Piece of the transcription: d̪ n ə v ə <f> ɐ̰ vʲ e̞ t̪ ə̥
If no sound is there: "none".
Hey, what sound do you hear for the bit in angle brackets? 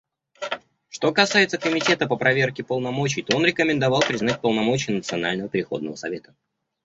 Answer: s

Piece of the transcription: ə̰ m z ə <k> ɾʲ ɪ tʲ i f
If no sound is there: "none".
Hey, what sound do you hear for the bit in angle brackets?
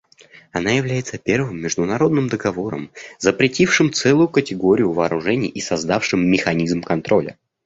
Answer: p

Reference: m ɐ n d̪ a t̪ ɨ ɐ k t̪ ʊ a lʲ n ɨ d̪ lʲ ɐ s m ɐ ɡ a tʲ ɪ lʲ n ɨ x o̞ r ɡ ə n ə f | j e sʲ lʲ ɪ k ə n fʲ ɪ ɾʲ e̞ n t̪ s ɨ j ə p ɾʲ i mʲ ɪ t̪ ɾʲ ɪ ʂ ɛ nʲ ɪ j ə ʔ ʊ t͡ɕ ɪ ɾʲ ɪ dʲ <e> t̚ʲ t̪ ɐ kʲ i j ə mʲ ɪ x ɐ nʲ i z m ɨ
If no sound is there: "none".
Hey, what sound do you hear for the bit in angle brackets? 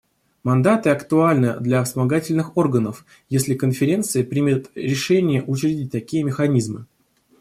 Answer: i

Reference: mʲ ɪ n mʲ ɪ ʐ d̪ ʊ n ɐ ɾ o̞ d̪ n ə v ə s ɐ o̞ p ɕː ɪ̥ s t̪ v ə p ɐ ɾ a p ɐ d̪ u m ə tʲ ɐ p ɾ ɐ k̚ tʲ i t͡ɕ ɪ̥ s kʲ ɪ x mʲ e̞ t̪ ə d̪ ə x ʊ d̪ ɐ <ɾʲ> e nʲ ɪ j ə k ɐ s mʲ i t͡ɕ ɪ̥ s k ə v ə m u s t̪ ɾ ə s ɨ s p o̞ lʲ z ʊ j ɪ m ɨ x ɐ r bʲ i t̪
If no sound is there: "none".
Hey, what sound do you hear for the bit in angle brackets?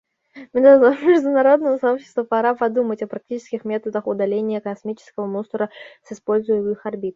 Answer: lʲ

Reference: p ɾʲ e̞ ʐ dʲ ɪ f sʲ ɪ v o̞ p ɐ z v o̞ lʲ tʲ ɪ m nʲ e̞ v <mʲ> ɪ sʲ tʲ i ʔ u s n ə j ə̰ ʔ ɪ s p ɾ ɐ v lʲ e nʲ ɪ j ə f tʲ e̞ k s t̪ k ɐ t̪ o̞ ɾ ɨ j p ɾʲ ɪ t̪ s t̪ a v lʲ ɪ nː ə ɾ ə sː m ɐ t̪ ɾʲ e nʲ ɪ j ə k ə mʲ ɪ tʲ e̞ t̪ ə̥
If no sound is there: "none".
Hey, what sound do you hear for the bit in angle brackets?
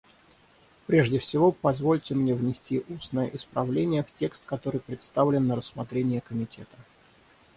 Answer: nʲ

